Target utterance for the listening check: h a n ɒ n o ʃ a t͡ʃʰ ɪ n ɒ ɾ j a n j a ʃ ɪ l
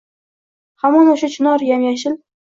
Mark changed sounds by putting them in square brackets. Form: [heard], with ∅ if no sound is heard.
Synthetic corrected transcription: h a [m] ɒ n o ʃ a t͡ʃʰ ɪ n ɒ ɾ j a [m] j a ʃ ɪ l